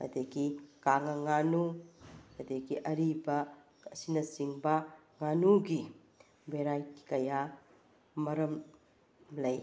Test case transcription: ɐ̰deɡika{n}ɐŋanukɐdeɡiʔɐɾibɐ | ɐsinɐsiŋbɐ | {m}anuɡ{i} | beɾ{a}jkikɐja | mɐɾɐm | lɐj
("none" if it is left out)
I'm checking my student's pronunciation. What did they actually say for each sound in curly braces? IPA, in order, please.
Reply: ŋ, ŋ, i, a

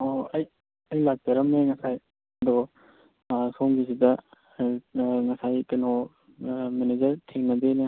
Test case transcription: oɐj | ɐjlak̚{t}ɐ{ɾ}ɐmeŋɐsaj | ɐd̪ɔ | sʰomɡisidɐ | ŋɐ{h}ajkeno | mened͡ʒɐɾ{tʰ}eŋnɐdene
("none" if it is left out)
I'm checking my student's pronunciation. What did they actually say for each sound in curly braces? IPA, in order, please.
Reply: t, ɾ, s, tʰ

